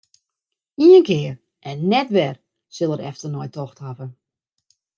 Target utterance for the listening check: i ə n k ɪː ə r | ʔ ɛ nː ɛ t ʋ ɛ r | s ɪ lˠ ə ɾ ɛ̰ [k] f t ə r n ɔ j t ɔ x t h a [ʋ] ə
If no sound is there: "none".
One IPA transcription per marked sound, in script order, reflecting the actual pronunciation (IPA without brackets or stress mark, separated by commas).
none, v